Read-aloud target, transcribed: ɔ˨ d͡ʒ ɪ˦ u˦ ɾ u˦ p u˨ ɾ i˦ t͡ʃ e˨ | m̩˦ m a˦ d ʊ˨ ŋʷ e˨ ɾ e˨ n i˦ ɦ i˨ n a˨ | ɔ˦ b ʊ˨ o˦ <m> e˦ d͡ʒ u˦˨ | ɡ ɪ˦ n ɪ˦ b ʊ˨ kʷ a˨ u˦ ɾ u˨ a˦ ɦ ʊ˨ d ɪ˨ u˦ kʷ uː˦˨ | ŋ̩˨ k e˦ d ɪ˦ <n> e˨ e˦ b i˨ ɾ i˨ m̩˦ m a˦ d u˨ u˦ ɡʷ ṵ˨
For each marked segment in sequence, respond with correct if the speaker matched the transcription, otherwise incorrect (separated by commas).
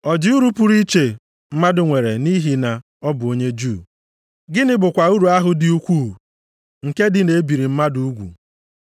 incorrect, correct